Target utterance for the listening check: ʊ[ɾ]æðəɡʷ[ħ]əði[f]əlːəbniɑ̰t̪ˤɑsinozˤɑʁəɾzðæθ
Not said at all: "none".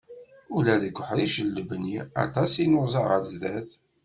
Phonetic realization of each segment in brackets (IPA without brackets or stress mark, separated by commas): l, ħ, ʃ